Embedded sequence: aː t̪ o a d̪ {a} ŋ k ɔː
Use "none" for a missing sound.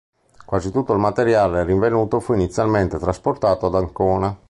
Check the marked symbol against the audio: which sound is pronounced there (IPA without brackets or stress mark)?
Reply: a